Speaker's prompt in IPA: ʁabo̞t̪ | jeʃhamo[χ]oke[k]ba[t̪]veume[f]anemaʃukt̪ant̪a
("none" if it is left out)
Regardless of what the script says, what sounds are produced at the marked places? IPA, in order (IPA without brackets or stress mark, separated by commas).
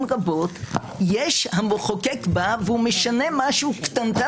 χ, k, none, ʃ